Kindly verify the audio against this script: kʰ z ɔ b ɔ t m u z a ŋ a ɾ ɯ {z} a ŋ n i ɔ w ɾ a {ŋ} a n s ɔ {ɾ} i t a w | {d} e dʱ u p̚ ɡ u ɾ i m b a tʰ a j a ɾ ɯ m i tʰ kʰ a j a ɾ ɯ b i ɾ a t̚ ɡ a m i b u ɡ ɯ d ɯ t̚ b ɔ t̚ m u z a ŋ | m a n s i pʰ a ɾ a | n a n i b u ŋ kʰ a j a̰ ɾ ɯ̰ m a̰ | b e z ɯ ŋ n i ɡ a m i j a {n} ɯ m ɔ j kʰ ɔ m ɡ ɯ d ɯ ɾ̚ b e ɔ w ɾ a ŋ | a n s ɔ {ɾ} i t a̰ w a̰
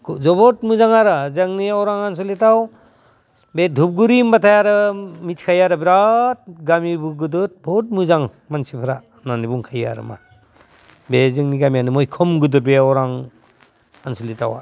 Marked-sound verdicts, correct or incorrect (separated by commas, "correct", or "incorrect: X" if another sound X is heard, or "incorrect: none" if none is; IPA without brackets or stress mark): correct, correct, incorrect: l, incorrect: b, correct, incorrect: l